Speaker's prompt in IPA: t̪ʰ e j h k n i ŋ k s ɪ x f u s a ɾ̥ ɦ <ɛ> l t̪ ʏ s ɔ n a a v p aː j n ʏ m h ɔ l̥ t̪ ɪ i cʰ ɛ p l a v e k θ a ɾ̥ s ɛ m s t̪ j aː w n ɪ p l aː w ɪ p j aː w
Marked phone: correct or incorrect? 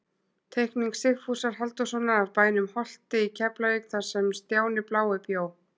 incorrect